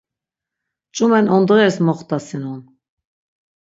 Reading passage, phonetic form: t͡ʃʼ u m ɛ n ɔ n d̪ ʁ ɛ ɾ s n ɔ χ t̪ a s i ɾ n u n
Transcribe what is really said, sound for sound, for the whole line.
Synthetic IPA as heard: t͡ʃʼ u m ɛ n ɔ n d̪ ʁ ɛ ɾ s m ɔ χ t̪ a s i n u n